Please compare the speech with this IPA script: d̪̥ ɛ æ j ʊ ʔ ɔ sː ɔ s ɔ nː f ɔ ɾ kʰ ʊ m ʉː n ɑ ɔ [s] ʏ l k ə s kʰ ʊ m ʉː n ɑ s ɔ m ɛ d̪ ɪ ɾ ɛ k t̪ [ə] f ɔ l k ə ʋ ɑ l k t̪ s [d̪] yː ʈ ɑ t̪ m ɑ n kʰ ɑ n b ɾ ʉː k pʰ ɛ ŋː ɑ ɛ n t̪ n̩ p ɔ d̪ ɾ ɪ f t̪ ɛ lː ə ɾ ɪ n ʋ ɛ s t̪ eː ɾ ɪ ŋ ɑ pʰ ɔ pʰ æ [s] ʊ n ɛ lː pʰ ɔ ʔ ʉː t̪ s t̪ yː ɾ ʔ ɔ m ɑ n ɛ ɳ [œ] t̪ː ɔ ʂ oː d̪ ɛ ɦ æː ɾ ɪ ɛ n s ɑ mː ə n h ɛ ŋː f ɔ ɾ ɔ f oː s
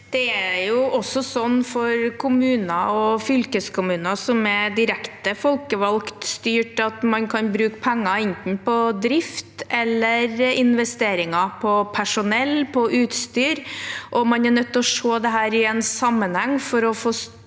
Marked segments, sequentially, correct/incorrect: incorrect: f, correct, incorrect: t̪, incorrect: ʂ, correct

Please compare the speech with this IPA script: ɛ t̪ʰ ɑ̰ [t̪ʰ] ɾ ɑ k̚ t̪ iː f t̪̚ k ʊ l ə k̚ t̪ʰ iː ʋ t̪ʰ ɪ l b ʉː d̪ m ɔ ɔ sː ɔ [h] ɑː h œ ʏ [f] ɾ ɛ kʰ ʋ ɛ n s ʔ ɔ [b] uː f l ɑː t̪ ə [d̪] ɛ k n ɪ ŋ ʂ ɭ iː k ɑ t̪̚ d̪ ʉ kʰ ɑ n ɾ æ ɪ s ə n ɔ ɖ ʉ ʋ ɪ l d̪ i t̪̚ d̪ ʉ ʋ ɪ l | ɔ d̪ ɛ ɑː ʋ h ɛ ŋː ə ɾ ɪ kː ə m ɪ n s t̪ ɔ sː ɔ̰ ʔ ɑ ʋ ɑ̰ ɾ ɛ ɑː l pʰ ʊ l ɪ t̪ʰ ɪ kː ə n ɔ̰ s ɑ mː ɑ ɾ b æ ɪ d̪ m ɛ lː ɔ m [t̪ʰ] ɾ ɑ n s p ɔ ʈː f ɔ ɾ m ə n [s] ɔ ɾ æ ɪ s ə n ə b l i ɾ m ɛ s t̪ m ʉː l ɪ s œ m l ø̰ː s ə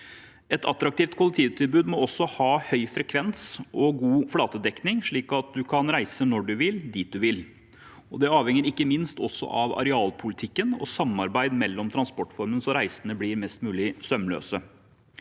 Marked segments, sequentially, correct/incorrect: incorrect: t̪, correct, correct, incorrect: ɡ, correct, correct, correct

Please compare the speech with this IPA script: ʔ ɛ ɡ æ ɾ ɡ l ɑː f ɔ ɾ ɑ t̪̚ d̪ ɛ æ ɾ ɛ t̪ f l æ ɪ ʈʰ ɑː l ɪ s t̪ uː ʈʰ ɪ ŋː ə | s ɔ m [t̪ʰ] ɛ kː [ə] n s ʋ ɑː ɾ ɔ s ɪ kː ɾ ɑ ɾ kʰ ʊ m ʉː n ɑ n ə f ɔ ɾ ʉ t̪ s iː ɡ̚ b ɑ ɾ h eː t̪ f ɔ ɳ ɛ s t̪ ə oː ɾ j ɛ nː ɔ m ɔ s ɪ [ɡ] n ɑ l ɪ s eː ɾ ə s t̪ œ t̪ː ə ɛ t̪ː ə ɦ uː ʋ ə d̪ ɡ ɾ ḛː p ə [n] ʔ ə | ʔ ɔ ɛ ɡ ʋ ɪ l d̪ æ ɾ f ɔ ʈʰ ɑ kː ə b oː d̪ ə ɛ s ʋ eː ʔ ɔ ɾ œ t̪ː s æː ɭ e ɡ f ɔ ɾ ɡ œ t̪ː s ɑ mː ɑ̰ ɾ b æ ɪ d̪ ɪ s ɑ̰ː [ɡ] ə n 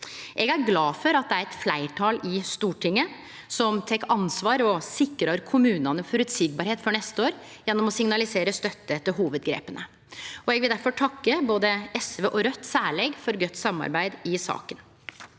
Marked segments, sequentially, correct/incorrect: correct, incorrect: ɑ, incorrect: ŋ, correct, incorrect: k

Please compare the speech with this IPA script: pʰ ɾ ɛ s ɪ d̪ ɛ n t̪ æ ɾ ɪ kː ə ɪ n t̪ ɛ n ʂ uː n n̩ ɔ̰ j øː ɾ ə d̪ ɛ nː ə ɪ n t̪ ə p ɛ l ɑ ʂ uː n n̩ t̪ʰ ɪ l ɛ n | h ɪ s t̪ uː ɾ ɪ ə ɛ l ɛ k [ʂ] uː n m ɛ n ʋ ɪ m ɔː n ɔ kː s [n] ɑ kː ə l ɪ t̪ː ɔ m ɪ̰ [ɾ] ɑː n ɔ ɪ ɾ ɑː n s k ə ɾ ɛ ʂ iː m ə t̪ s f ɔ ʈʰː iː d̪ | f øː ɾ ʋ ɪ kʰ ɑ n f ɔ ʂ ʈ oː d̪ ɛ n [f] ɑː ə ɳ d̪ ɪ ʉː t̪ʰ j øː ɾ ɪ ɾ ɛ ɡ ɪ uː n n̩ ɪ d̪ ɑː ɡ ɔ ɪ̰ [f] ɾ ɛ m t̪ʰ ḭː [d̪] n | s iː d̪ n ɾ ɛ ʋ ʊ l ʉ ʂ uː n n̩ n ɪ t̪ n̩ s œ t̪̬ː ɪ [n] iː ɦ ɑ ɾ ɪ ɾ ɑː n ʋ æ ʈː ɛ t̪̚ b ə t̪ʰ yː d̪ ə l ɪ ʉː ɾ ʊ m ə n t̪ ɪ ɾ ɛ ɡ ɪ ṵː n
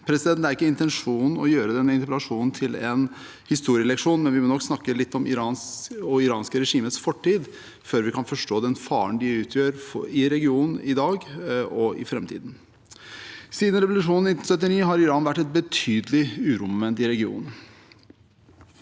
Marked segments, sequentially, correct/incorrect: correct, correct, correct, correct, correct, correct, correct

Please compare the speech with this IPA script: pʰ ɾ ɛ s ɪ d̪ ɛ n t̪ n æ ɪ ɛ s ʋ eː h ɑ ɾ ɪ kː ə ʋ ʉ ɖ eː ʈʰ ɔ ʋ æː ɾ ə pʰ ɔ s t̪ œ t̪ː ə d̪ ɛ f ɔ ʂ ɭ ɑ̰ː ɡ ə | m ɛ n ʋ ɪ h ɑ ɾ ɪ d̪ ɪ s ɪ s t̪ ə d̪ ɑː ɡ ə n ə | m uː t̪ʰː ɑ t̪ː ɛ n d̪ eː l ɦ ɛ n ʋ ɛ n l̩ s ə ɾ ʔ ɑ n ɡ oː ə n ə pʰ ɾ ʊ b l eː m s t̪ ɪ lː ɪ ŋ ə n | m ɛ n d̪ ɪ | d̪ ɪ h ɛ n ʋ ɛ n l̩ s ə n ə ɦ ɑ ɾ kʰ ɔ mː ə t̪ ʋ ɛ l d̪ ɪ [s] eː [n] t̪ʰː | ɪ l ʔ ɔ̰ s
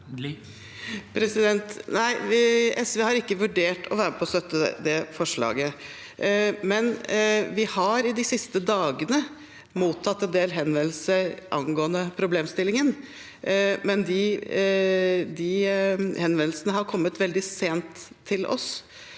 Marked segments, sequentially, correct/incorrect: correct, correct

